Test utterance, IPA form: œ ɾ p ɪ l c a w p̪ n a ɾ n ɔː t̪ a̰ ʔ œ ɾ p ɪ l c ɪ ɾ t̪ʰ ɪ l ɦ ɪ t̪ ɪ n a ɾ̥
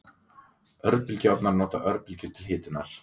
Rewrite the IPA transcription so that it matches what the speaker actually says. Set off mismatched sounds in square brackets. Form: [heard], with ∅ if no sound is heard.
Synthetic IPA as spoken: œ ɾ p ɪ l c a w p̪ n a ɾ n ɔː t̪ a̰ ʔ œ ɾ p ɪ l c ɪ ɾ t̪ʰ ɪ l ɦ [ɪː] t̪ ɪ n a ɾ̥

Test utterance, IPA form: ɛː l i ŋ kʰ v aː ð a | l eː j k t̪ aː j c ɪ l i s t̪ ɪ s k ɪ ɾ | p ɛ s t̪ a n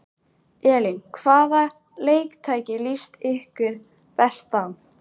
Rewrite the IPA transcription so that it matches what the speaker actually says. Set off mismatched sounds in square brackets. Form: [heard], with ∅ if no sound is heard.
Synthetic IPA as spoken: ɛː l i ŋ kʰ v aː ð a | l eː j k [t̪ʰ] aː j c ɪ l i s t̪ ɪ [h] k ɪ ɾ | p ɛ s t̪ a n

